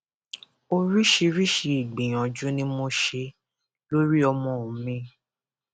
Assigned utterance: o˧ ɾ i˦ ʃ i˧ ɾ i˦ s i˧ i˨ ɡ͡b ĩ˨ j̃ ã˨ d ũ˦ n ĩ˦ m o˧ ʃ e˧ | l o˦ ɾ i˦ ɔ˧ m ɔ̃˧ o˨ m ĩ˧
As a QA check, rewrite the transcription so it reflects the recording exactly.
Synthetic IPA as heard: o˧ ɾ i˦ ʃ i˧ ɾ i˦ ʃ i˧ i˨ ɡ͡b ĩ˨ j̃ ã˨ d͡ʒ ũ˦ n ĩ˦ m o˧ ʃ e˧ | l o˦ ɾ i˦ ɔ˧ m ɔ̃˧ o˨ m ĩ˧